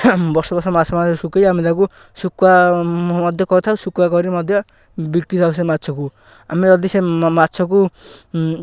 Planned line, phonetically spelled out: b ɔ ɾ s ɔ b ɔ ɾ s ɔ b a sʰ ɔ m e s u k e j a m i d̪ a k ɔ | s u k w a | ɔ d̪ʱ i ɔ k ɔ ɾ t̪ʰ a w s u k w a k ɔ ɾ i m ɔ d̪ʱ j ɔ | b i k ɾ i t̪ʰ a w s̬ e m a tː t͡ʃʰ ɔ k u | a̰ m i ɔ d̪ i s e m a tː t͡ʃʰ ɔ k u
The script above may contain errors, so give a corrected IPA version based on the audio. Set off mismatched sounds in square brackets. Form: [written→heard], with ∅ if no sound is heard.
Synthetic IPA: b ɔ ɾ s ɔ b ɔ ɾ s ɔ [b→m] a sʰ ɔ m [e→a] s u k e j a m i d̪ a k [ɔ→u] | s u k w a | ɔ d̪ʱ [i→j] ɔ k ɔ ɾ t̪ʰ a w s u k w a k ɔ ɾ i m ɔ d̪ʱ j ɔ | b i k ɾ i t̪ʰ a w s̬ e m a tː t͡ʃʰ ɔ k u | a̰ m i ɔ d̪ i s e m a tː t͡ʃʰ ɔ k u